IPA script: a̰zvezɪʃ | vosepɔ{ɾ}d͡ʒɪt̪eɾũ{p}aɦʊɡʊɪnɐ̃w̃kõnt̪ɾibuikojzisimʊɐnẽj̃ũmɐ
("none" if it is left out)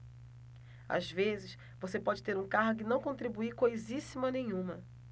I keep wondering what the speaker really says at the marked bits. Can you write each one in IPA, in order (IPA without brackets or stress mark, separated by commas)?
none, k